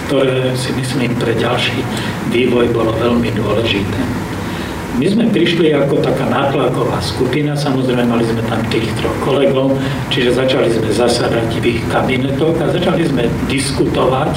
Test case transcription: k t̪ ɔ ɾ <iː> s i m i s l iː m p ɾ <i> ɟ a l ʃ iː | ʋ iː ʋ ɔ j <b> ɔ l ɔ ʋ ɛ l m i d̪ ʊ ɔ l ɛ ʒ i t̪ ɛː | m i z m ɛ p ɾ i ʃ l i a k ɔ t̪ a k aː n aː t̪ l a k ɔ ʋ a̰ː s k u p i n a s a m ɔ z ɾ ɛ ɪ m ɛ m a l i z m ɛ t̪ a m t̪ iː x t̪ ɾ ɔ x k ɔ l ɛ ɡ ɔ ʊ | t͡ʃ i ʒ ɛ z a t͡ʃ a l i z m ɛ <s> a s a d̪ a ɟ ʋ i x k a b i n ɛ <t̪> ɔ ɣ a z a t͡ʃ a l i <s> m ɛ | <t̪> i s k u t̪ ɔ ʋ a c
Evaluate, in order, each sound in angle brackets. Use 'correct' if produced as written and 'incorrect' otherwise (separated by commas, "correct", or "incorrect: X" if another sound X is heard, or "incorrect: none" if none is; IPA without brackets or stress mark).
incorrect: ɛː, incorrect: ɛ, correct, incorrect: z, correct, incorrect: z, incorrect: d̪